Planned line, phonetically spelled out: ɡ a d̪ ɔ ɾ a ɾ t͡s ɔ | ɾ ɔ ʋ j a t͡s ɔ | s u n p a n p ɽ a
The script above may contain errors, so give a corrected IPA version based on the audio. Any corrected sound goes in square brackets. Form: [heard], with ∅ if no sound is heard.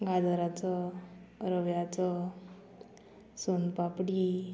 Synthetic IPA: ɡ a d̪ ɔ ɾ a [∅] t͡s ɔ | ɾ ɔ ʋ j a t͡s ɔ | s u n p a [∅] p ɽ [i]